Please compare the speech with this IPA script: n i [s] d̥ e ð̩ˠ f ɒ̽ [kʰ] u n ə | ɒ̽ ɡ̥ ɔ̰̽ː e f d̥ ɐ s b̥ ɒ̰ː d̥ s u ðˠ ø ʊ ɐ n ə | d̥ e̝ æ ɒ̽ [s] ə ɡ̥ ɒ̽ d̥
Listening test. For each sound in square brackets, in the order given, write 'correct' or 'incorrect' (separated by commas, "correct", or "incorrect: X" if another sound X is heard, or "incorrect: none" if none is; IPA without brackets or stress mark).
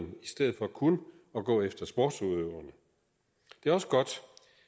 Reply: correct, correct, correct